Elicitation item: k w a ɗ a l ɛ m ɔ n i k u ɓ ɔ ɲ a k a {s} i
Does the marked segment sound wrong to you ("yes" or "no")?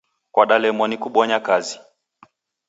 yes